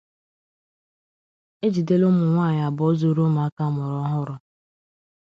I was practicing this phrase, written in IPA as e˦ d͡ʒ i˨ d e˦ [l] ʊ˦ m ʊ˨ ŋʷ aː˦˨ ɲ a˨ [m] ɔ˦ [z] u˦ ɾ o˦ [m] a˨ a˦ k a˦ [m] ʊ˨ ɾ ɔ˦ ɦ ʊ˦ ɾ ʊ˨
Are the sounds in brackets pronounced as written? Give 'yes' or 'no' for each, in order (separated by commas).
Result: yes, no, yes, yes, yes